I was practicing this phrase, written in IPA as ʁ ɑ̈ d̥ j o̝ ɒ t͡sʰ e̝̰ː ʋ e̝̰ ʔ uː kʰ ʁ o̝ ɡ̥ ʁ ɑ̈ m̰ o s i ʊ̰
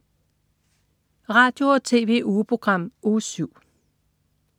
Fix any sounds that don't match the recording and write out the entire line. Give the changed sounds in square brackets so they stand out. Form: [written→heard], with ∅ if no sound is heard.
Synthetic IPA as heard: ʁ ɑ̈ d̥ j o̝ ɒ t͡sʰ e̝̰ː ʋ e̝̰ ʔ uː [kʰ→pʰ] ʁ o̝ ɡ̥ ʁ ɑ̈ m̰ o s [i→y] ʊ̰

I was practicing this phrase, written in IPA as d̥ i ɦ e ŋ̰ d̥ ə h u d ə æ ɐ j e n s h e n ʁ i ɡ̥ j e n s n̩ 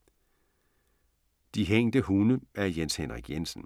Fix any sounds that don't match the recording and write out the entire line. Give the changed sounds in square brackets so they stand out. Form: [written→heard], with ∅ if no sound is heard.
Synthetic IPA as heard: d̥ i ɦ e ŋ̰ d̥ ə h u [d→n] ə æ ɐ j e n s h e n ʁ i ɡ̥ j e n s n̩

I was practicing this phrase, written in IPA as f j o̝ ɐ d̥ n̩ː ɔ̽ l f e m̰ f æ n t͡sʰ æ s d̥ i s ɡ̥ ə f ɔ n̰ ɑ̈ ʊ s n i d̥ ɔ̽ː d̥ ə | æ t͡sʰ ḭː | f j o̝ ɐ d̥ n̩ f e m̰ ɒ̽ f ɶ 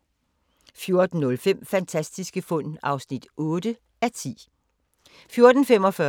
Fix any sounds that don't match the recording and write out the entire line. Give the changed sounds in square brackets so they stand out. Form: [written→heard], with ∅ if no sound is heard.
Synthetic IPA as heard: f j o̝ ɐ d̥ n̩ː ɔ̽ l f e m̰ f æ n t͡sʰ æ s d̥ i s ɡ̥ ə f ɔ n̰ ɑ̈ ʊ s n i d̥ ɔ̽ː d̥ ə | æ t͡sʰ ḭː | f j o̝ ɐ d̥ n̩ f e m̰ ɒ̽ f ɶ

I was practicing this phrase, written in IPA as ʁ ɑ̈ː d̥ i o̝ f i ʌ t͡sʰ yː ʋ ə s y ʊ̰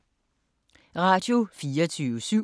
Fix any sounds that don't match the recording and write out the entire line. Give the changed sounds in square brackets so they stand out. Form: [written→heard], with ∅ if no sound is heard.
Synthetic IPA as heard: ʁ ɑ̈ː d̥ [i→j] o̝ f [i→iː] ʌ t͡sʰ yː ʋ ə s y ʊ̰

